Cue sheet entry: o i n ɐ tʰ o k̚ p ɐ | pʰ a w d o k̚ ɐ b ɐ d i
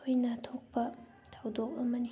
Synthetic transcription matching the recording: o j n ɐ tʰ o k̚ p ɐ | tʰ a w d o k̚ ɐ m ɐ n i